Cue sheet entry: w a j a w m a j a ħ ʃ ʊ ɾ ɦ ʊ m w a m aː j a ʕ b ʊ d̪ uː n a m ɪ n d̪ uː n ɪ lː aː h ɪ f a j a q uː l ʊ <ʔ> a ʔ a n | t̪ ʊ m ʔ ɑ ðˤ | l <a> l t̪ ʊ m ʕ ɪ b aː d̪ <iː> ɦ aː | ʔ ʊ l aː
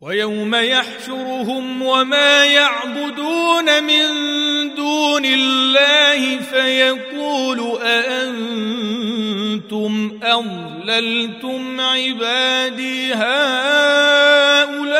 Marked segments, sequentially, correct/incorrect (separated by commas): correct, correct, correct